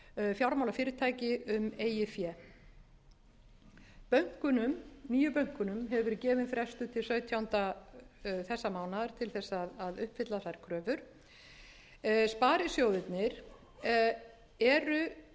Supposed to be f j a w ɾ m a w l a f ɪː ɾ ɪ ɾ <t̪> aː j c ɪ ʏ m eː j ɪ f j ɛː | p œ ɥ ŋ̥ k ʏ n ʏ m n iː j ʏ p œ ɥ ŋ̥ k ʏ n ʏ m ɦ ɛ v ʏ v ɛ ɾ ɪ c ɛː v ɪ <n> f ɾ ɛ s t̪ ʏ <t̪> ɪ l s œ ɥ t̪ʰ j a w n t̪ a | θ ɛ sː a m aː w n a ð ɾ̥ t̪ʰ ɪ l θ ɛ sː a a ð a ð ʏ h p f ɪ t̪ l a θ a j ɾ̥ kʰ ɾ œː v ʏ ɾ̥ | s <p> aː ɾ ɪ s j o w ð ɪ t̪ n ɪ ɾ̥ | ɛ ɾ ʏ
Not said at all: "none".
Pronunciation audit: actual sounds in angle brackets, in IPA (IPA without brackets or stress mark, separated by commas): t̪ʰ, n, t̪ʰ, p